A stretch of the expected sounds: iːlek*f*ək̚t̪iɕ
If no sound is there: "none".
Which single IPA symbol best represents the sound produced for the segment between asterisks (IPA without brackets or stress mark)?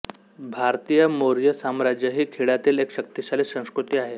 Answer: ɕ